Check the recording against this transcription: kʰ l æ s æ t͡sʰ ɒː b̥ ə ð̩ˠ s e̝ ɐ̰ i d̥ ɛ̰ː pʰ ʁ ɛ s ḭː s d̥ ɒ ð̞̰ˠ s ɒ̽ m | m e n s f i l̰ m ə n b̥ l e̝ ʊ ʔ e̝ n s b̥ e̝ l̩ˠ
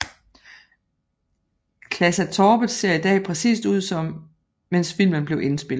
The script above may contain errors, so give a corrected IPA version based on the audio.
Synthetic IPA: kʰ l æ s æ t͡sʰ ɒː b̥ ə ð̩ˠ s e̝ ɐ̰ i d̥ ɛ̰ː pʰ ʁ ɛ s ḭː s d̥ u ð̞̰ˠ s ɒ̽ m | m e n s f i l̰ m ə n b̥ l e̝ ʊ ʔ e̝ n s b̥ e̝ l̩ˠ